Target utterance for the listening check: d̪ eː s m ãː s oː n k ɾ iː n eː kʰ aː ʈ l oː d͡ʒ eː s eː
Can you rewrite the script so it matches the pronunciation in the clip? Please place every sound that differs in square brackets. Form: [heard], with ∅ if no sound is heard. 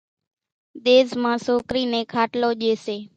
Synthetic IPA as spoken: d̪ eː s m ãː s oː [∅] k ɾ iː n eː kʰ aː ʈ l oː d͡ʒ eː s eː